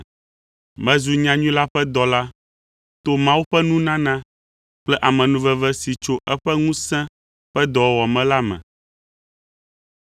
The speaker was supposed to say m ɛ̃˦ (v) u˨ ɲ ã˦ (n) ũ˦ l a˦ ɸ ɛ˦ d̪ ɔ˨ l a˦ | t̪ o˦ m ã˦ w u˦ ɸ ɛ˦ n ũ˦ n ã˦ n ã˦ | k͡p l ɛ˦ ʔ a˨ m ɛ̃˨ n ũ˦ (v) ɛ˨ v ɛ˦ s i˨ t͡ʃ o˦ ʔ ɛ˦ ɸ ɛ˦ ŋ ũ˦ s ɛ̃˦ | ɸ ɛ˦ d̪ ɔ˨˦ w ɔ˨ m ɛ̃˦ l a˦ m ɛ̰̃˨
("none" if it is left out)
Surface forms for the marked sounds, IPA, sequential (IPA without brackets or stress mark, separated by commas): z, ɲ, v